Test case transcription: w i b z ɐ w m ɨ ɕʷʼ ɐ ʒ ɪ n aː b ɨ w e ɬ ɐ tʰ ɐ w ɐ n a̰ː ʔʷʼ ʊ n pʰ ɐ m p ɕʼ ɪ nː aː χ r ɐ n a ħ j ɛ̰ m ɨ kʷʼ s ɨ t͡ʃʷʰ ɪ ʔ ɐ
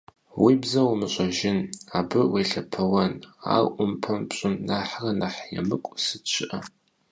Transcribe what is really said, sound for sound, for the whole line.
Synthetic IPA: w i b z ɐ w m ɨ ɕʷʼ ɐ ʒ ɪ n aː b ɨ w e ɬ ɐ pʰ ɐ w ɐ n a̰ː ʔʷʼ ʊ m pʰ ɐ m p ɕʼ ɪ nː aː ħ r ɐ n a ħ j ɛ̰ m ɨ kʷʼ s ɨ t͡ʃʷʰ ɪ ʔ ɐ